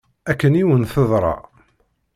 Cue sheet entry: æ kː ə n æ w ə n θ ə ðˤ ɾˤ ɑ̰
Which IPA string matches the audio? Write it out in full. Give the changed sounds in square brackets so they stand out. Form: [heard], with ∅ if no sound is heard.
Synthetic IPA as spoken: æ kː ə n [i] w ə n θ ə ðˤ ɾˤ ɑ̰